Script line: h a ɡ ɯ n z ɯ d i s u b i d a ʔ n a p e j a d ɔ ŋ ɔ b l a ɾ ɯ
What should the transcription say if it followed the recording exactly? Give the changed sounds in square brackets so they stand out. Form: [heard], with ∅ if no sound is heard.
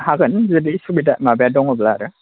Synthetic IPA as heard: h a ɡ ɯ n z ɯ d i s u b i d a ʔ [m] a [b] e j a d ɔ ŋ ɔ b l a ɾ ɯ